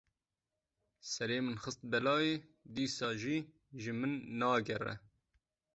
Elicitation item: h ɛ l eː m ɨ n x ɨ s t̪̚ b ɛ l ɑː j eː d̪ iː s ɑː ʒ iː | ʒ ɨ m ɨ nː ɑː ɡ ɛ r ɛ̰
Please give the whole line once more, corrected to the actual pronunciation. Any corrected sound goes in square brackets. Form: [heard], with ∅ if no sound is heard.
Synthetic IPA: [s] ɛ [ɾ] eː m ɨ n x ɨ s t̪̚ b ɛ l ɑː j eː d̪ iː s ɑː ʒ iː | ʒ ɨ m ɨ nː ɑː ɡ ɛ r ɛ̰

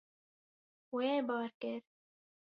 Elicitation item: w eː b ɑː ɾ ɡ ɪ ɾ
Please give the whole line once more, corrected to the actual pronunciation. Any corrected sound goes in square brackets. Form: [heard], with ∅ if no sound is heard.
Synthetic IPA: w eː b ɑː ɾ [k] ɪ ɾ

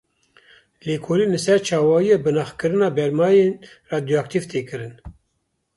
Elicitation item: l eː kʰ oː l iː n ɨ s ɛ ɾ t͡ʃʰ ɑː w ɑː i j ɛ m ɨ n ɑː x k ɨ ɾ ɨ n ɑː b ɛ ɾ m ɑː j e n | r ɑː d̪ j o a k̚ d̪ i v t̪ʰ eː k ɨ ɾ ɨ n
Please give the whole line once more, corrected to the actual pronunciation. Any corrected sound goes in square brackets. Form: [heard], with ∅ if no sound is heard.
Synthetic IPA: l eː kʰ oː l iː n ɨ s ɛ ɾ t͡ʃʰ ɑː w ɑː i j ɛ [b] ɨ n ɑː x k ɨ ɾ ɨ n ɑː b ɛ ɾ m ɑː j e n | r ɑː d̪ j o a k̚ [t̪] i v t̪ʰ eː k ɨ ɾ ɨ n

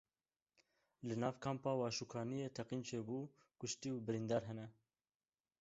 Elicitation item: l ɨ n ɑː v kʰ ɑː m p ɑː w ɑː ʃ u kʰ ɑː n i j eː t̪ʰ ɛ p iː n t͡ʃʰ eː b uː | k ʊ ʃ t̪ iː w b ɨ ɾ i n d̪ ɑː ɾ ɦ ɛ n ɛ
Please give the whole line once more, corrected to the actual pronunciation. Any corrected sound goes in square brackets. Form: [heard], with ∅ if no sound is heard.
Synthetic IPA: l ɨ n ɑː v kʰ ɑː m p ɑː w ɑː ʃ u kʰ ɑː n i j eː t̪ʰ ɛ [q] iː n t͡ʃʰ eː b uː | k ʊ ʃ t̪ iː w b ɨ ɾ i n d̪ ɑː ɾ ɦ ɛ n ɛ

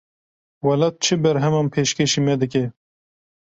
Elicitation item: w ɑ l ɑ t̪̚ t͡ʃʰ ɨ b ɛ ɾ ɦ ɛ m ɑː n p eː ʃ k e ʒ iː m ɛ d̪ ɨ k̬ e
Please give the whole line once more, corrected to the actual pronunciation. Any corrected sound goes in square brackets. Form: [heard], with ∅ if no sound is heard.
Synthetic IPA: w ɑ l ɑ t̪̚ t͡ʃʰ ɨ b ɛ ɾ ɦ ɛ m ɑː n [pʰ] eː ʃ k e [ʃ] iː m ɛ d̪ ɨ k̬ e

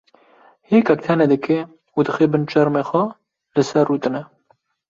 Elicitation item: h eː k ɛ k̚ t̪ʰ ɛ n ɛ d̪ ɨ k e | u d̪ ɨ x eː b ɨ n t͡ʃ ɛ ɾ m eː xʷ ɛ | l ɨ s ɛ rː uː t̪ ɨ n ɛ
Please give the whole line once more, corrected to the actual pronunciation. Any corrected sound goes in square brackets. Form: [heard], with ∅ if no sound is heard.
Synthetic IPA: h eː k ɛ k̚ t̪ʰ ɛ n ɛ d̪ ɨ k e | u d̪ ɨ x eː b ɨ n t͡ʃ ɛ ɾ m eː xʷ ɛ | l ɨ s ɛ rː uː t̪ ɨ n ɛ

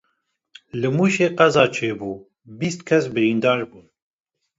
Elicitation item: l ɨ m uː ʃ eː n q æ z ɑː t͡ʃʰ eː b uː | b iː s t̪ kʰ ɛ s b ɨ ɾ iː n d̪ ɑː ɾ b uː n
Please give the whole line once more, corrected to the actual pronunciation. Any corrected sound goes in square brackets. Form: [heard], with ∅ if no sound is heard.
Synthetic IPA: l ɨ m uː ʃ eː [∅] q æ z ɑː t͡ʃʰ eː b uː | b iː s t̪ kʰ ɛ s b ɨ ɾ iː n d̪ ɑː ɾ b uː n

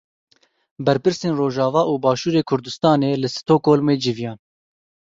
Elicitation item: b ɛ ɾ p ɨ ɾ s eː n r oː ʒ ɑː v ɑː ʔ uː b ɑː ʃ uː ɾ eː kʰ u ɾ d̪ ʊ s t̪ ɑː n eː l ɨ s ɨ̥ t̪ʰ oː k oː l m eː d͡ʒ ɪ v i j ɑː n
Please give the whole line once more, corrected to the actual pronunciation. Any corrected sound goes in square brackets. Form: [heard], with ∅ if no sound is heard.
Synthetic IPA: b ɛ ɾ p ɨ ɾ s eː n r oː ʒ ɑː v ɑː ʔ uː b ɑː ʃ uː ɾ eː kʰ [ʊ] ɾ d̪ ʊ s t̪ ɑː n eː l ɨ s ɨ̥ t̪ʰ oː k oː l m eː d͡ʒ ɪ v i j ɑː n

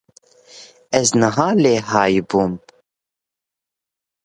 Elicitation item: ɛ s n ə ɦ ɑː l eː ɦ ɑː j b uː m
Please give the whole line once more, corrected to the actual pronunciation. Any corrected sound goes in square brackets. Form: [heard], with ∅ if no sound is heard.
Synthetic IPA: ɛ [z] n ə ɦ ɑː l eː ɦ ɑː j b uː m

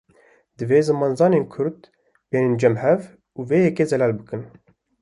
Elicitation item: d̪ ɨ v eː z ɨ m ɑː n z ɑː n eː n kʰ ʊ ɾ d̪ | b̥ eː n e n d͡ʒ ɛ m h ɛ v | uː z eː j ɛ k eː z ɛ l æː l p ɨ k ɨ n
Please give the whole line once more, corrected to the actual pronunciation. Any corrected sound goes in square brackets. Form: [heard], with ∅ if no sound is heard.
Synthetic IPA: d̪ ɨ v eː z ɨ m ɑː n z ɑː n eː n kʰ ʊ ɾ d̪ | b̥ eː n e n d͡ʒ ɛ m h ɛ v | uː [v] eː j ɛ k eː z ɛ l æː l [b] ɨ k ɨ n

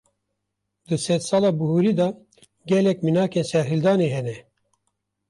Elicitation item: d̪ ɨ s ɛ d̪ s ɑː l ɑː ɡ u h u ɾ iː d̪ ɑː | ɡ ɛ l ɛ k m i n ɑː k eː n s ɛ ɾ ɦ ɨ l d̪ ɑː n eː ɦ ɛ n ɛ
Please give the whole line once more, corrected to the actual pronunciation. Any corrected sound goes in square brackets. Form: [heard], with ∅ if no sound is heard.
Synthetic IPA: d̪ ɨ s ɛ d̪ s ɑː l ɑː [b] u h u ɾ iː d̪ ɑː | ɡ ɛ l ɛ k m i n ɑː k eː n s ɛ ɾ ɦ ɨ l d̪ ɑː n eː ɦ ɛ n ɛ

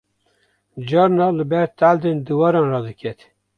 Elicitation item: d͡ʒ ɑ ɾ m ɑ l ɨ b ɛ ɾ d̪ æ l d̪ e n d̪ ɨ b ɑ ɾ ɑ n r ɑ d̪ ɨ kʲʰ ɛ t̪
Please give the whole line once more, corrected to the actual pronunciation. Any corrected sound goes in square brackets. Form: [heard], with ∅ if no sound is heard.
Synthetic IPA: d͡ʒ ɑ ɾ [n] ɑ l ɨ b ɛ ɾ [t̪] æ l d̪ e n d̪ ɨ [w] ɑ ɾ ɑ n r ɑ d̪ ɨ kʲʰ ɛ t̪

